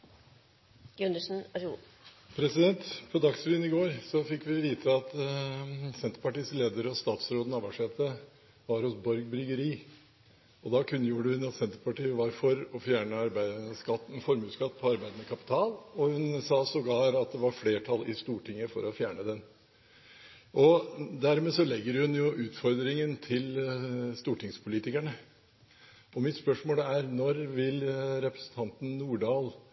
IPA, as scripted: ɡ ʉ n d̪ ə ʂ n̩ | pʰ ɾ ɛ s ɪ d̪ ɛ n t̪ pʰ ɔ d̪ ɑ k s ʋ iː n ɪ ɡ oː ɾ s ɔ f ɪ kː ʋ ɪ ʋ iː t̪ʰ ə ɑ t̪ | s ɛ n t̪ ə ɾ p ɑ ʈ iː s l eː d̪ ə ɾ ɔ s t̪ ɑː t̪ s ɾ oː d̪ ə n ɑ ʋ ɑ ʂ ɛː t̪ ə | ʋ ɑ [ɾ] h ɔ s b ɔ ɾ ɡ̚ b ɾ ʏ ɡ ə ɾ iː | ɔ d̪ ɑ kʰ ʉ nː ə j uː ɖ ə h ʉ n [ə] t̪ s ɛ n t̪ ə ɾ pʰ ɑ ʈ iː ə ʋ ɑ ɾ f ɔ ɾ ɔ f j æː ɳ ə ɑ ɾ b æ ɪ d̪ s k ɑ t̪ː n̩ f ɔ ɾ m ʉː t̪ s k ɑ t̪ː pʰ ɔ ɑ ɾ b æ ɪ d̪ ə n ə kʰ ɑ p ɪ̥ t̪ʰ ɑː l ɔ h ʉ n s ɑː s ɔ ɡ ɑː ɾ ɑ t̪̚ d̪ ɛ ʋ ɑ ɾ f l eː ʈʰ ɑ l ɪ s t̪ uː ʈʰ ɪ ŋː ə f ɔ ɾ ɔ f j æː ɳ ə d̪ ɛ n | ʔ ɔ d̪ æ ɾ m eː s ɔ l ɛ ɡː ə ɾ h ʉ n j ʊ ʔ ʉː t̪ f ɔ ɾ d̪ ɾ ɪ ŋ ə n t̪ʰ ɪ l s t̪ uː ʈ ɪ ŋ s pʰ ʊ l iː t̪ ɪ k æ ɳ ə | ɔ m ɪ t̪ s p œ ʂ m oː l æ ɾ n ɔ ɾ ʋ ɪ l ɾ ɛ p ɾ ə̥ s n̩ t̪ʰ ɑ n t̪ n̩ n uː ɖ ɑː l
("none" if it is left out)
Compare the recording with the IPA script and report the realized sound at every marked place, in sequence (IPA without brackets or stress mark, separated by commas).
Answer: ɾ, ɑ